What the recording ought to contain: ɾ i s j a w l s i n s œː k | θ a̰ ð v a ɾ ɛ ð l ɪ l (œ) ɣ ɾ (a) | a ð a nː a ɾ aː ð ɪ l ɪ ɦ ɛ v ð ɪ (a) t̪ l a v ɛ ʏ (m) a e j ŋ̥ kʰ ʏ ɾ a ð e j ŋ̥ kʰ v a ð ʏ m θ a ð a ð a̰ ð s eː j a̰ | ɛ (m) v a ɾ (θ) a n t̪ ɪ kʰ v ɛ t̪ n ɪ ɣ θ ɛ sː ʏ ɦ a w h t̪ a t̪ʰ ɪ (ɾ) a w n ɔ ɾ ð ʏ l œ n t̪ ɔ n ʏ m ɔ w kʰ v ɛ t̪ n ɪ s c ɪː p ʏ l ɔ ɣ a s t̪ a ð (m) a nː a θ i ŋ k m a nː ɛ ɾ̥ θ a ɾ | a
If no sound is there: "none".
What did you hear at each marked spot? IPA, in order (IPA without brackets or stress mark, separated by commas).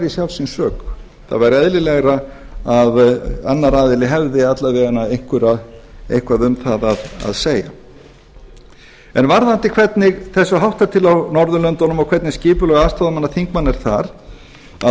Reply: ɛ, a, a, n, n, ð, l, m